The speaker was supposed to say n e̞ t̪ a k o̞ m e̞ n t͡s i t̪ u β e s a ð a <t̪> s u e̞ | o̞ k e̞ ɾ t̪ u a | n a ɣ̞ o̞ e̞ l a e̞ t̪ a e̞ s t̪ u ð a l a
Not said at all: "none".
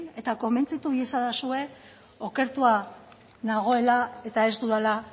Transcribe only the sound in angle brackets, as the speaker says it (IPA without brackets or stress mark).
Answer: none